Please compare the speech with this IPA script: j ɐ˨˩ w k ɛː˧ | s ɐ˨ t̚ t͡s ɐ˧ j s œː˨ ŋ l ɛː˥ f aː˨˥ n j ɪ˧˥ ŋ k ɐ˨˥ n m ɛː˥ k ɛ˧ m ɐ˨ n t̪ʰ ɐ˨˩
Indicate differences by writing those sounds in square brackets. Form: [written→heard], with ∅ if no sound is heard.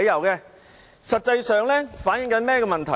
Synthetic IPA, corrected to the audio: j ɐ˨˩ w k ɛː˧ | s ɐ˨ t̚ t͡s ɐ˧ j s œː˨ ŋ l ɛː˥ f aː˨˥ n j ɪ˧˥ ŋ k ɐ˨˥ n m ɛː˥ k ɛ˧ m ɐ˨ n t̪ʰ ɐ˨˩